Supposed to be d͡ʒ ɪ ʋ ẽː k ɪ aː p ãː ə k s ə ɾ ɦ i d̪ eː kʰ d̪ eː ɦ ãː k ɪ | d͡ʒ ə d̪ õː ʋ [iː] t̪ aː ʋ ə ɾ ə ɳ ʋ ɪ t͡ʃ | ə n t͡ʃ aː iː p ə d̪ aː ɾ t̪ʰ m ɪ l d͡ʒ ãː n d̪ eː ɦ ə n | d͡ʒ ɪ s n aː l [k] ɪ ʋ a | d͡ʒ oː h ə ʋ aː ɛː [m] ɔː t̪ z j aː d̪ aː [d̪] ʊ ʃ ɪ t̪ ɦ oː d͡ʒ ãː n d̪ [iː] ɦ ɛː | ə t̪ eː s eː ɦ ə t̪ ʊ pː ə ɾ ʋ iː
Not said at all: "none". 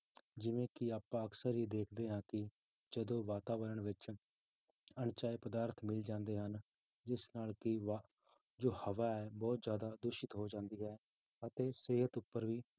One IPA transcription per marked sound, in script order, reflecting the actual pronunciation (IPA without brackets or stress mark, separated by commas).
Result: aː, k, b, d̪, iː